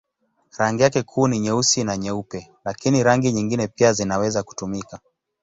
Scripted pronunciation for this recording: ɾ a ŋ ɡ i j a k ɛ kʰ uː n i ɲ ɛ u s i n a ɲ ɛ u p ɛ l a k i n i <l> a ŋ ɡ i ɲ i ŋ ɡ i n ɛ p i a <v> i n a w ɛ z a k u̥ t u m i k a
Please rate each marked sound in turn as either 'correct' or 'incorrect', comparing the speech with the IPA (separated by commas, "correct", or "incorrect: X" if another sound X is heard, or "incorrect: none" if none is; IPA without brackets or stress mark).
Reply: incorrect: ɾ, incorrect: z